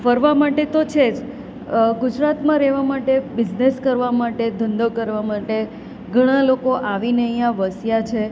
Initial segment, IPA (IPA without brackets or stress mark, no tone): f